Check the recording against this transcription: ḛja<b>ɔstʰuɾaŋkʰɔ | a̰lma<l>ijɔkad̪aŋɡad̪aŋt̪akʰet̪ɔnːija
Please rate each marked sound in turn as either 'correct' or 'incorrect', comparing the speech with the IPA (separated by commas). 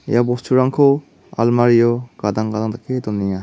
correct, incorrect